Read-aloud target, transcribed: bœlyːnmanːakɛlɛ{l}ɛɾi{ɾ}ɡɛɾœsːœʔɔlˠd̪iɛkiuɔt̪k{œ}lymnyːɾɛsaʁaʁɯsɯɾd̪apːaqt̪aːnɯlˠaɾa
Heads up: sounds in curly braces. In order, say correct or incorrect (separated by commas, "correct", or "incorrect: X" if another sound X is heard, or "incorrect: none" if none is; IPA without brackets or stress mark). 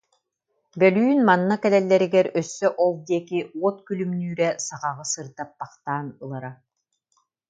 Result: incorrect: lː, incorrect: none, incorrect: y